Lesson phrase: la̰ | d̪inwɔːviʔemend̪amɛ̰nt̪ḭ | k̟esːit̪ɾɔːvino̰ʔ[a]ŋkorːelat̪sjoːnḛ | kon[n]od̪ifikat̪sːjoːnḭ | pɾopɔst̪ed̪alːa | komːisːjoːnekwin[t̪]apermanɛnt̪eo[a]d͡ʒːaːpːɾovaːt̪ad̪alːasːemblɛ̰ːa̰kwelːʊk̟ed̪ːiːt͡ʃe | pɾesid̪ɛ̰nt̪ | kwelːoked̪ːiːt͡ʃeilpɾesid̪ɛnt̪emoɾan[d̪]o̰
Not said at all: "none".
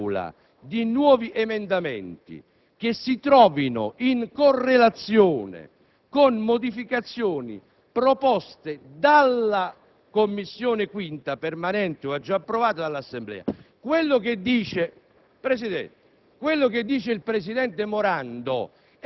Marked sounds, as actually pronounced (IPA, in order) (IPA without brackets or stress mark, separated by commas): i, m, t̪, a, d̪